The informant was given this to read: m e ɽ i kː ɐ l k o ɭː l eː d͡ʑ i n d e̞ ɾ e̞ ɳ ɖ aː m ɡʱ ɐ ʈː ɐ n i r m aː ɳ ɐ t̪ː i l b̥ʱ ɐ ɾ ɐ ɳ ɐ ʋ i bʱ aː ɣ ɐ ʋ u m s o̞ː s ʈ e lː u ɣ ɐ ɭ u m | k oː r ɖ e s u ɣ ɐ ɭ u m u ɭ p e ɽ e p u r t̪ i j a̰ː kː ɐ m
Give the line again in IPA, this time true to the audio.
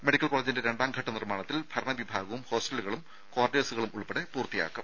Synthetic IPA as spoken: m e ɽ i kː ɐ l k o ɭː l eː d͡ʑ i n d e̞ ɾ e̞ ɳ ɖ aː m ɡʱ ɐ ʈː ɐ n i r m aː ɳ ɐ t̪ː i l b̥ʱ ɐ ɾ ɐ ɳ ɐ ʋ i bʱ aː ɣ ɐ ʋ u m h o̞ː s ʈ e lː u ɣ ɐ ɭ u m | k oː r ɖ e s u ɣ ɐ ɭ u m u ɭ p e ɽ e p uː r t̪ i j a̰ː kː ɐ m